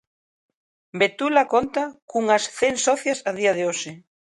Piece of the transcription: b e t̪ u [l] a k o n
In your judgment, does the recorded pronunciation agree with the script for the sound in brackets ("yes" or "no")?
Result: yes